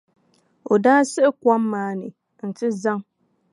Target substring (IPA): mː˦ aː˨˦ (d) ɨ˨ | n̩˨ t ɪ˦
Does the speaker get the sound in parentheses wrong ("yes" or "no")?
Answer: yes